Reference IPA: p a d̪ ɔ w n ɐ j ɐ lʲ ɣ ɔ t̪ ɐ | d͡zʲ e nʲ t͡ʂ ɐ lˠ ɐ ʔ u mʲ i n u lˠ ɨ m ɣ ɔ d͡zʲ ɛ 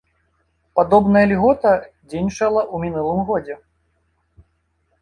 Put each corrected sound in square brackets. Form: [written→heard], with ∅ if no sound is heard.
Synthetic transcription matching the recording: p a d̪ ɔ [w→b] n ɐ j ɐ lʲ ɣ ɔ t̪ ɐ | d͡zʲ e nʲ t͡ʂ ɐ lˠ ɐ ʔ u mʲ i n u lˠ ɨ m ɣ ɔ d͡zʲ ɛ